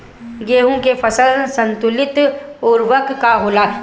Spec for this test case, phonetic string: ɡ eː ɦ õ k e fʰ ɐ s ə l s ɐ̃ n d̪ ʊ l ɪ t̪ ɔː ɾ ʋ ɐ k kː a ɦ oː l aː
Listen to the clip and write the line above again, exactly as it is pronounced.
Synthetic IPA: ɡ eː ɦ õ k e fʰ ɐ s ə l s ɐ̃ n t̪ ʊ l ɪ t̪ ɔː ɾ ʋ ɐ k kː a ɦ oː l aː